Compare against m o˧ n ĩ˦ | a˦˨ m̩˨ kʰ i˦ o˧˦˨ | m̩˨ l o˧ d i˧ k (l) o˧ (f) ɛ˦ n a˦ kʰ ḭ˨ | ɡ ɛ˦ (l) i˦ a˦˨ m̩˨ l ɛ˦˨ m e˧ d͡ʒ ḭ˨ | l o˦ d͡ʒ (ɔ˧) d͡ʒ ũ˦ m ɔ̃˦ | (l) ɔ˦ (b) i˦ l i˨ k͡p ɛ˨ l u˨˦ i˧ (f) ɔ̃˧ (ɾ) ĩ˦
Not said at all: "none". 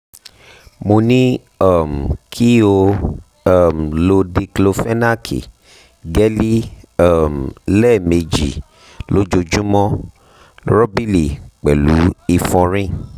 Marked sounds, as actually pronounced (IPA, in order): l, f, l, o˧, ɾ, b, f, ɾ

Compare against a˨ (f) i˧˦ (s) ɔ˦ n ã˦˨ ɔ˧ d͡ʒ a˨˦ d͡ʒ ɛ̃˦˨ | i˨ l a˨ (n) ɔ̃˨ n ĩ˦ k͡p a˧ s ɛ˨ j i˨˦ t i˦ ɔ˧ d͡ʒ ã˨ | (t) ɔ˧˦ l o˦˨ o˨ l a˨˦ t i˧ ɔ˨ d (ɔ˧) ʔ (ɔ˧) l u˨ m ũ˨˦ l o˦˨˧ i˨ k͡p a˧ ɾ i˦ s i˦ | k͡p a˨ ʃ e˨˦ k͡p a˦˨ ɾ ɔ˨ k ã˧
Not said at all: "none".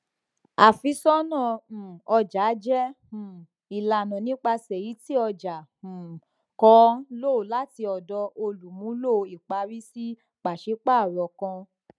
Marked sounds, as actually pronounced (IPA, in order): f, s, n, k, ɔ˧, o˧

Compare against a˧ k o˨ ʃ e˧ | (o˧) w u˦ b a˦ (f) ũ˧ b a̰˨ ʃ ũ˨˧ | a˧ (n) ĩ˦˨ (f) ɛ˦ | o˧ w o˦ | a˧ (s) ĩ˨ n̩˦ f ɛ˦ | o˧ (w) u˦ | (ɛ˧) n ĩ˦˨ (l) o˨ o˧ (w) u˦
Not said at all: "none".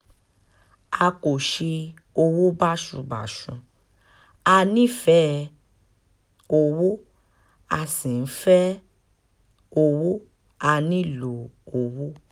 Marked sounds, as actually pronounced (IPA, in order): o˧, ʃ, n, f, s, w, a˧, l, w

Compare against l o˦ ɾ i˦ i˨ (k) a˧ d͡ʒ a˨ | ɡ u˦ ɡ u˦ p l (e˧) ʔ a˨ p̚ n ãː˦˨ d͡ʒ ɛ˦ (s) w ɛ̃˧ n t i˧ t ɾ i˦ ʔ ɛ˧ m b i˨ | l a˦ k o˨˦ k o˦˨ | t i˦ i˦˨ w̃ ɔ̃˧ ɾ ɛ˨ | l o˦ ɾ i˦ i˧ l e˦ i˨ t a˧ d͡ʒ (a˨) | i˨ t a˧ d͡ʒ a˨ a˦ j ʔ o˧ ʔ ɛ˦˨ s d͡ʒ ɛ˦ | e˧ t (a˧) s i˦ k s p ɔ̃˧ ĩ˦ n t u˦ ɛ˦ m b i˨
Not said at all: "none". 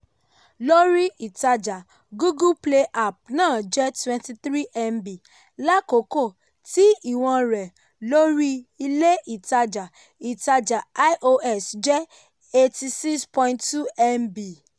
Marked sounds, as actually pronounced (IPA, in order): t, e˧, t, a˨, i˧

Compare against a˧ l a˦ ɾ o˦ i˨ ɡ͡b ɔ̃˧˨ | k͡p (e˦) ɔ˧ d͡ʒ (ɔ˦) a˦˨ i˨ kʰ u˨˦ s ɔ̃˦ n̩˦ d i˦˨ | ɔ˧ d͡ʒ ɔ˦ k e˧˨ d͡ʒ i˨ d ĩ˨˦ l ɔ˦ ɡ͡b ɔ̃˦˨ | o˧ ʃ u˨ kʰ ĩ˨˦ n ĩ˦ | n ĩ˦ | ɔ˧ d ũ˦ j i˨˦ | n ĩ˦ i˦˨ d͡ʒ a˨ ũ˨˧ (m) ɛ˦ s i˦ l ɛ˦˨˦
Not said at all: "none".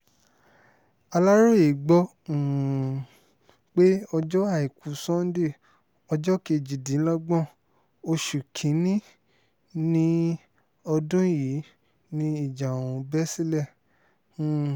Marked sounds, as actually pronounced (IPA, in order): e˦, ɔ˦, b

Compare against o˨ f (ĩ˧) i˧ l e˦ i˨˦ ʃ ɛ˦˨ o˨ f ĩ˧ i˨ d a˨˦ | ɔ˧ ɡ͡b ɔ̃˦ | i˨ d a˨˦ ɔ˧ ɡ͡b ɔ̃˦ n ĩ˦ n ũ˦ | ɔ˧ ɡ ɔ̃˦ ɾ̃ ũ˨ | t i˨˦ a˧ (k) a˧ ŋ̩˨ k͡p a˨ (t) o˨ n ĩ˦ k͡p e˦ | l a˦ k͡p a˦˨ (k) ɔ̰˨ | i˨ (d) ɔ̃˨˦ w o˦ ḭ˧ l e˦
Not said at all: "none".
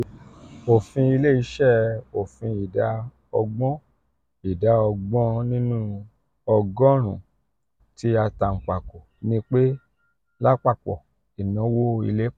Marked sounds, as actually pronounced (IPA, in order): ĩ˧, t, k, k͡p, n

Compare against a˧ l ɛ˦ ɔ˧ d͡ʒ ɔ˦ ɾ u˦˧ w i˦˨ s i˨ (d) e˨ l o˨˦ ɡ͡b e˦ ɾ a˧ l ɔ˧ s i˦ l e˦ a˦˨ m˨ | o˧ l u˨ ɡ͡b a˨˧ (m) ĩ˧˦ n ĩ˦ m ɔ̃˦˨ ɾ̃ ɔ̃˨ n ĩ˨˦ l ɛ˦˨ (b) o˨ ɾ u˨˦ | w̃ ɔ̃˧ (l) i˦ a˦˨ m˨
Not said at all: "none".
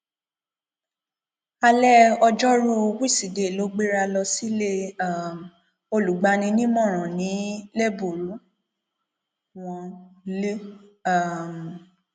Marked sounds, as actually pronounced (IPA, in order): d, n, b, l

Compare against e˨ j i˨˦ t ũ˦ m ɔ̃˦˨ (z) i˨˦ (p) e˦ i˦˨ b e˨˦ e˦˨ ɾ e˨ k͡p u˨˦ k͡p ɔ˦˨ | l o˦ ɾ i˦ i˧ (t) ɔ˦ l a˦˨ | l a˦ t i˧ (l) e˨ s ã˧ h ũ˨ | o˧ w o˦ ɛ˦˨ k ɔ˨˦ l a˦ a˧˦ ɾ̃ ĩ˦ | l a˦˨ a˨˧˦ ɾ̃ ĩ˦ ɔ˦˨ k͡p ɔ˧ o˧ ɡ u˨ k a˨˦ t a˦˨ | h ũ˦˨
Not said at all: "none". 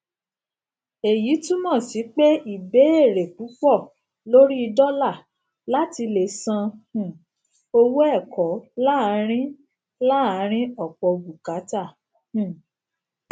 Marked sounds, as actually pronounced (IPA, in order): s, k͡p, d, l

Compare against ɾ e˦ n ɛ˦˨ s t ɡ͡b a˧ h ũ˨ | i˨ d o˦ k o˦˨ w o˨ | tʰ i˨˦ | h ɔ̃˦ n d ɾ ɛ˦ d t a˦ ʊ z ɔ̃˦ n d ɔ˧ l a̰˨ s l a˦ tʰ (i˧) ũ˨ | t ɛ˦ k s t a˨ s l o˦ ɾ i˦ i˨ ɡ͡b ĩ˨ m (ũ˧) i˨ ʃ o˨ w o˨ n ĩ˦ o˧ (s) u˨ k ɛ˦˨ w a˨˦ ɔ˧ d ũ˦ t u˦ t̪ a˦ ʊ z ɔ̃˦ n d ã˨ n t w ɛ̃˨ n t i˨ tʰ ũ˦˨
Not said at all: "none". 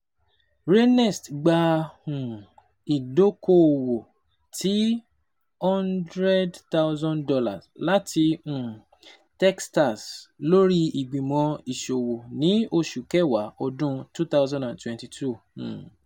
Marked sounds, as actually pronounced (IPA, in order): i˧, ɔ̃˧, ʃ

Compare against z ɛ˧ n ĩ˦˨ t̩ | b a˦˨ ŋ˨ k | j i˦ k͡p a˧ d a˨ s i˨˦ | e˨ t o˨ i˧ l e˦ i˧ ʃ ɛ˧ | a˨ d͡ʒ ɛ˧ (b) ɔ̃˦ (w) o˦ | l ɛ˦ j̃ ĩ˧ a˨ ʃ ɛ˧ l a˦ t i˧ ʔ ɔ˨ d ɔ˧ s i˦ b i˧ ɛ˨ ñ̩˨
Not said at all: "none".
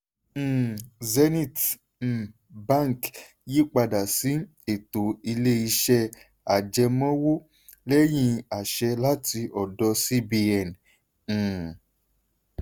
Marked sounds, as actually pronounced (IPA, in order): m, w

